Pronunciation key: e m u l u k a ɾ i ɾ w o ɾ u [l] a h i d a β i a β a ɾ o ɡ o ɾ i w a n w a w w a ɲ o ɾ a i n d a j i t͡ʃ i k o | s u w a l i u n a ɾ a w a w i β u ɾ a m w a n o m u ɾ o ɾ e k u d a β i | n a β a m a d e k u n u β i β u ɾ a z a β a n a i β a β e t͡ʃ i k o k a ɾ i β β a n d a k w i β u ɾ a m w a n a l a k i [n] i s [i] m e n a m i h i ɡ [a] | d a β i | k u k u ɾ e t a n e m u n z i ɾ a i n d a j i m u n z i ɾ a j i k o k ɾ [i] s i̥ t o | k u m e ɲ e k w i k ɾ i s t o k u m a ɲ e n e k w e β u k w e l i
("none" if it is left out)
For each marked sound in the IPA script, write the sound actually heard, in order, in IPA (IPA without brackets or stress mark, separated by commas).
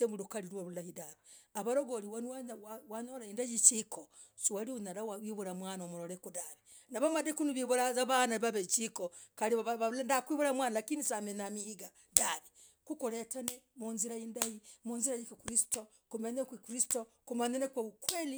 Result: l, n, a, a, i